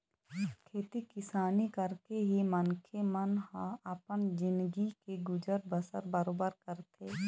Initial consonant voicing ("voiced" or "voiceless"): voiceless